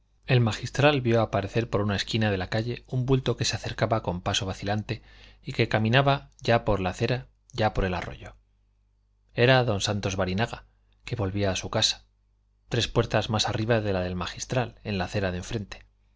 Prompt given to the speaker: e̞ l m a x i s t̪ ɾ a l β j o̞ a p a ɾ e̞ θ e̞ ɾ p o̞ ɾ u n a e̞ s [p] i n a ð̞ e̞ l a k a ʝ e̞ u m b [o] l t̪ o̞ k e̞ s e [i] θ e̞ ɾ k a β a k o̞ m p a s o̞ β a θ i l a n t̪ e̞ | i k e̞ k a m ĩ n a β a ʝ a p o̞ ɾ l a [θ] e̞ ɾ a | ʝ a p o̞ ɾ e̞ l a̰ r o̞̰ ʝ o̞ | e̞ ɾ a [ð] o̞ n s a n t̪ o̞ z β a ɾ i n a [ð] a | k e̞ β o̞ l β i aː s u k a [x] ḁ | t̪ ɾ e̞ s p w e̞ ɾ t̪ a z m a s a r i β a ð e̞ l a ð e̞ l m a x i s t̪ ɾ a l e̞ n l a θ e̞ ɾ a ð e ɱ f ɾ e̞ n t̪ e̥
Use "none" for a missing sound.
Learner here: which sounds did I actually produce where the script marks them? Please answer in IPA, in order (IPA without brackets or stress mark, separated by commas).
k, u, a, θ, ð, ɣ, s